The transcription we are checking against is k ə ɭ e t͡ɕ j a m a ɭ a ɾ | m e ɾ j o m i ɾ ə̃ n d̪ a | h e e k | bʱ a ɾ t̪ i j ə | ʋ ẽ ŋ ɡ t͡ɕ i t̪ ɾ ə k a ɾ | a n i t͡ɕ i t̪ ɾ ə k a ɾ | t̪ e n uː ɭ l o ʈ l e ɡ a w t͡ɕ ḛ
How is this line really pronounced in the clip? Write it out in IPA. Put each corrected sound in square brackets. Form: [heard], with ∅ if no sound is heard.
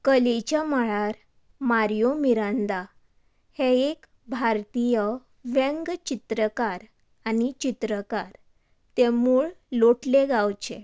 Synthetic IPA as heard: k ə [l] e t͡ɕ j a m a ɭ a ɾ | m [a] ɾ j o m i ɾ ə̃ n d̪ a | h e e k | bʱ a ɾ t̪ i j ə | ʋ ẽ ŋ ɡ t͡ɕ i t̪ ɾ ə k a ɾ | a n i t͡ɕ i t̪ ɾ ə k a ɾ | t̪ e [m] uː ɭ l o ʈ l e ɡ a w t͡ɕ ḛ

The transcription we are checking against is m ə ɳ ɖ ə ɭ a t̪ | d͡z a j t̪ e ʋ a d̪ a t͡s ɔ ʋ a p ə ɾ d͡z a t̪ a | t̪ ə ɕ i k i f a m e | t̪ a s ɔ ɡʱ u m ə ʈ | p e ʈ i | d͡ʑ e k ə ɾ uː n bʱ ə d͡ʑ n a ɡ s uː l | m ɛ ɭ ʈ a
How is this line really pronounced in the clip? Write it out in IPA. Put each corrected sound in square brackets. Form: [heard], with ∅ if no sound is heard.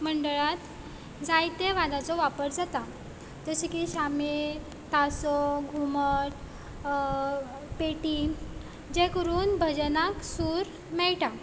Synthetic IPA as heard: m ə ɳ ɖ ə ɭ a t̪ | d͡z a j t̪ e ʋ a d̪ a t͡s ɔ ʋ a p ə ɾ d͡z a t̪ a | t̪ ə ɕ i k i [ɕ] a m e | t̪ a s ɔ ɡʱ u m ə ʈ | p e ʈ i | d͡ʑ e k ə ɾ uː n bʱ ə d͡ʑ n a [k] s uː [ɾ] | m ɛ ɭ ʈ a

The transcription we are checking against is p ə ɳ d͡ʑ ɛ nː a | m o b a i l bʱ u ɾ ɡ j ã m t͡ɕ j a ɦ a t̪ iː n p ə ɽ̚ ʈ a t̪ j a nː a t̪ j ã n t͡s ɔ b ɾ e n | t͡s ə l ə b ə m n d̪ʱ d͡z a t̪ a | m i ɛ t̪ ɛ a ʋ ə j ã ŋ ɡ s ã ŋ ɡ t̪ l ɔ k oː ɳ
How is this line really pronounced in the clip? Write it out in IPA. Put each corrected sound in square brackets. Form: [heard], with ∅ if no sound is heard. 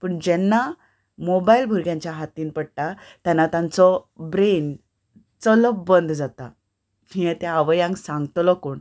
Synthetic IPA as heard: p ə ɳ d͡ʑ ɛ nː a | m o b a i l bʱ u ɾ ɡ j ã [ɲ] t͡ɕ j a ɦ a t̪ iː n p ə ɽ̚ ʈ a t̪ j a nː a t̪ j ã n t͡s ɔ b ɾ e n | t͡s ə l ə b ə [∅] n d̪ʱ d͡z a t̪ a | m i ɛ t̪ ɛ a ʋ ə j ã ŋ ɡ s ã ŋ ɡ t̪ l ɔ k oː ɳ

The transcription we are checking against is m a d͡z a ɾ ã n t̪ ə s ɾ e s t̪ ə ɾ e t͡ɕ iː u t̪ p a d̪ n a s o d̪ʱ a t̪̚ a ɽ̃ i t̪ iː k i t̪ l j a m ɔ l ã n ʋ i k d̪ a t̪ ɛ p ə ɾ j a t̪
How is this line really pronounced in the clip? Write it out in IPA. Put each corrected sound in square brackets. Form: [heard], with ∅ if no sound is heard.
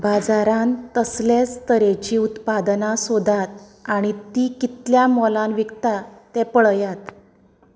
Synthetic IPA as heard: [b] a d͡z a ɾ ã n t̪ ə s [l] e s t̪ ə ɾ e t͡ɕ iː u t̪ p a d̪ n a s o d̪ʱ a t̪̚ a ɽ̃ i t̪ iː k i t̪ l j a m ɔ l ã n ʋ i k [t̪] a t̪ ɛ p ə [ɭ] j a t̪

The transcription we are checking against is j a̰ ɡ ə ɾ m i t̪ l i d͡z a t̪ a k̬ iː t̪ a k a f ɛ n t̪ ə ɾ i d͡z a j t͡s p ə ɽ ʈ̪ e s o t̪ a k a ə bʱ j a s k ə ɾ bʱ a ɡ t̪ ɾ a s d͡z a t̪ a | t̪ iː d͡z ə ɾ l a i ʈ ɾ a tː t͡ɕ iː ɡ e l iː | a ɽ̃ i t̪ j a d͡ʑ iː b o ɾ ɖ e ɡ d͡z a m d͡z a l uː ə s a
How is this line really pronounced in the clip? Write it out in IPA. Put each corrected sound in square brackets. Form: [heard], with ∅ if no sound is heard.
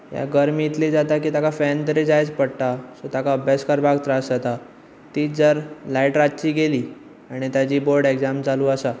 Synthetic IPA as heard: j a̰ ɡ ə ɾ m i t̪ l i d͡z a t̪ a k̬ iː t̪ a k a f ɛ n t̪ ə ɾ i d͡z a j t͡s p ə ɽ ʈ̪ [a] s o t̪ a k a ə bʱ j a s k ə ɾ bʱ a ɡ t̪ ɾ a s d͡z a t̪ a | t̪ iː d͡z ə ɾ l a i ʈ ɾ a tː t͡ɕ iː ɡ e l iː | a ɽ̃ i t̪ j a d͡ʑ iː b o ɾ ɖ e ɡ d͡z a m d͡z a l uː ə s a

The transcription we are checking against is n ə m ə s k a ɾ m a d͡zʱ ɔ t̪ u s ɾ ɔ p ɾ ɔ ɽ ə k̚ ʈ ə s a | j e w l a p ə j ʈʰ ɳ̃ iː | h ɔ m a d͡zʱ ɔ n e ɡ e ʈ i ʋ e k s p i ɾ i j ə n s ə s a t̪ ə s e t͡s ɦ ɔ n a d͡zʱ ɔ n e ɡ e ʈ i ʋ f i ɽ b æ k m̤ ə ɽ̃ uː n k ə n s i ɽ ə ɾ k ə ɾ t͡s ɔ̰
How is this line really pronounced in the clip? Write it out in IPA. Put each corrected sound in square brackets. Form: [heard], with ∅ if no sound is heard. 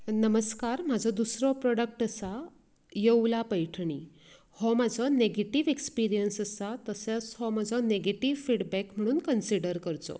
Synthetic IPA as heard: n ə m ə s k a ɾ m a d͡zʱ ɔ [d̪] u s ɾ ɔ p ɾ ɔ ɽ ə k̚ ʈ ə s a | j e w l a p ə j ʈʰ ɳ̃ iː | h ɔ m a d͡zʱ ɔ n e ɡ e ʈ i ʋ e k s p i ɾ i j ə n s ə s a t̪ ə s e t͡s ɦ ɔ [m] a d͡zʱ ɔ n e ɡ e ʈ i ʋ f i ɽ b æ k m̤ ə ɽ̃ uː n k ə n s i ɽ ə ɾ k ə ɾ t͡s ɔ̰

